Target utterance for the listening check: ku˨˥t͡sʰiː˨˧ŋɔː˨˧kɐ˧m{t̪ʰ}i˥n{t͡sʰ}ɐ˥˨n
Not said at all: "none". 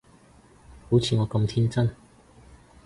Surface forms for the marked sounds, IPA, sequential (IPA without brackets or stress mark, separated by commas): t̪ʰ, t͡s